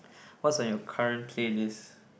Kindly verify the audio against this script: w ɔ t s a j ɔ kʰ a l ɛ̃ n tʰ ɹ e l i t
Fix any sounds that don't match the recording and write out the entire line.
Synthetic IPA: w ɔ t s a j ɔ kʰ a ɹ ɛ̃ n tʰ l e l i s